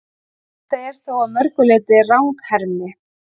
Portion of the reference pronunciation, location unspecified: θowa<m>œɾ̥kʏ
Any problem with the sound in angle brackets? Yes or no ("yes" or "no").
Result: no